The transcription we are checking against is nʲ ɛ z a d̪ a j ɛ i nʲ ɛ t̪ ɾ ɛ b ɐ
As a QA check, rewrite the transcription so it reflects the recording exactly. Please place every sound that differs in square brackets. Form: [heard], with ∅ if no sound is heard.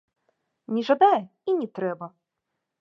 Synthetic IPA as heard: nʲ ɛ [ʐ] a d̪ a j ɛ i nʲ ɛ t̪ ɾ ɛ b ɐ